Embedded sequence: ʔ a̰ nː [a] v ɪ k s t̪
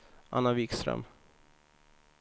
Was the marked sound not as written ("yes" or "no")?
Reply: no